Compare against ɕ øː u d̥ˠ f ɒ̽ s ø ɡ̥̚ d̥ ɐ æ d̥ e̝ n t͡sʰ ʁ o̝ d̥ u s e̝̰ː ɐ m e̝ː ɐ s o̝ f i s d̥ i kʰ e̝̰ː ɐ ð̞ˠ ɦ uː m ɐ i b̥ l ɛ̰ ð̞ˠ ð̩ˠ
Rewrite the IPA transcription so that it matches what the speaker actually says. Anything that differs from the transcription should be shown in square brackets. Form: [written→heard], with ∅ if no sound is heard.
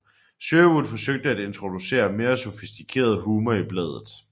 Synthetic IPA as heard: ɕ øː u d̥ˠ f ɒ̽ s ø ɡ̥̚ d̥ [ɐ→ə] æ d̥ e̝ n t͡sʰ ʁ o̝ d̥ u s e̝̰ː ɐ m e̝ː ɐ s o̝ f i s d̥ i kʰ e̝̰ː ɐ ð̞ˠ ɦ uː m ɐ i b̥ l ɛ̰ ð̞ˠ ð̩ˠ